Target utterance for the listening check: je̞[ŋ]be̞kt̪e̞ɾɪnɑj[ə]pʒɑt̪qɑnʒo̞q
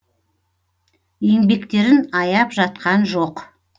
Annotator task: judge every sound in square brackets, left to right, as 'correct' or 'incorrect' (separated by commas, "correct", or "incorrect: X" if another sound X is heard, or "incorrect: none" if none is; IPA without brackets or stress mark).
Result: correct, incorrect: ɑ